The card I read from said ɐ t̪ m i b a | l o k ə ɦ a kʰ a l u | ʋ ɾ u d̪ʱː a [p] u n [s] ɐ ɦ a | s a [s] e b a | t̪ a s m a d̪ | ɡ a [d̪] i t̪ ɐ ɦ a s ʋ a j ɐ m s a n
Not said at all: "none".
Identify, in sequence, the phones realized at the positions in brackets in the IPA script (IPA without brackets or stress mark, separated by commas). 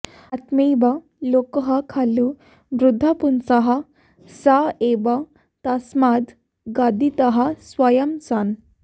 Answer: p, s, none, d̪